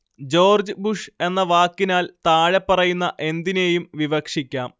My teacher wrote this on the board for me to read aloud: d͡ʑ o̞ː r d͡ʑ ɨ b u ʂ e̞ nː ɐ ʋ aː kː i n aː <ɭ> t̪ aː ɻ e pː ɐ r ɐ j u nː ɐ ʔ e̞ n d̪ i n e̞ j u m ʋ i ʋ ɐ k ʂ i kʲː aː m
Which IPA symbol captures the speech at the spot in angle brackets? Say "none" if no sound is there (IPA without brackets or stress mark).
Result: l